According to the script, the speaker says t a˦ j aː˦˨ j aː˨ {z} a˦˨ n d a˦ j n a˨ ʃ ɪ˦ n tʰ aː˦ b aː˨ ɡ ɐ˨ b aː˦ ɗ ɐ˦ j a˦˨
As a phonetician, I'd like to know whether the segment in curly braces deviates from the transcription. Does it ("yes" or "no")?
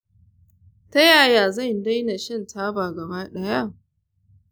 no